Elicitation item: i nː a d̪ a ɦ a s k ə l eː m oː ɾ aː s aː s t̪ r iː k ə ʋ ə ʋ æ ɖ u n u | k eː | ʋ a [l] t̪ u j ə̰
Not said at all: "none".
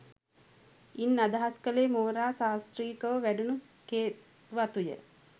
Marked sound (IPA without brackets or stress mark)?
none